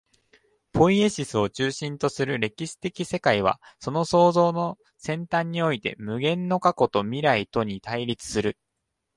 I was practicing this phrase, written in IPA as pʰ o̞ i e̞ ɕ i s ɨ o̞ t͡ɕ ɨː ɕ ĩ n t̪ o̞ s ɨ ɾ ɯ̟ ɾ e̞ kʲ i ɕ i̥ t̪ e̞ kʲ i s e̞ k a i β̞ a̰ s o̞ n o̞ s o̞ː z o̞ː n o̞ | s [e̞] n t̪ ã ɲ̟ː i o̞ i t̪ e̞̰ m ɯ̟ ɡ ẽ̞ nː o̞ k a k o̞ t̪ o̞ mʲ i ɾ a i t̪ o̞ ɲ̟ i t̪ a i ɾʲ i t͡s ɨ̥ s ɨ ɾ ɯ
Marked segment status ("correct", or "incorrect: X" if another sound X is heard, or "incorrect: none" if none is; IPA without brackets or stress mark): incorrect: ẽ̞